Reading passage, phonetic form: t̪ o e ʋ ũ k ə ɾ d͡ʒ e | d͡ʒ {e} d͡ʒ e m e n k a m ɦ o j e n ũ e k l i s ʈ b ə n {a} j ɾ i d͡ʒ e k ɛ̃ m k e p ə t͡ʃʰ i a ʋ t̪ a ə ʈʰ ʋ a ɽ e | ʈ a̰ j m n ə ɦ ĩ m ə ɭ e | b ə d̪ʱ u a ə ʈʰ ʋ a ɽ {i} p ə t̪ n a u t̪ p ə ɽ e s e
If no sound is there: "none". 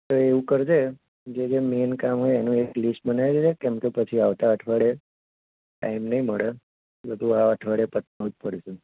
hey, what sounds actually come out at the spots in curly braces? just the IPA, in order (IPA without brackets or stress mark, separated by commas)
e, a, e